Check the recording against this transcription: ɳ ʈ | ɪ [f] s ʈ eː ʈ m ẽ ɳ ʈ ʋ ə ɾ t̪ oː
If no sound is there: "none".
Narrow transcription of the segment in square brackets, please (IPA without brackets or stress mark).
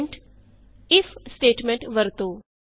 f